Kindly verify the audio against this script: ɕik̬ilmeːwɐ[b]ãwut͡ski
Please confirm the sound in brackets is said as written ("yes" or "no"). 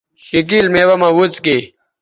no